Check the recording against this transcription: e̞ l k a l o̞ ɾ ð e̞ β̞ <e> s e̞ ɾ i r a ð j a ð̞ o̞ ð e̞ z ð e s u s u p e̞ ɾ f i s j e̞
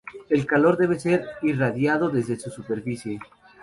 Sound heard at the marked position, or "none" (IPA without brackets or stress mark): e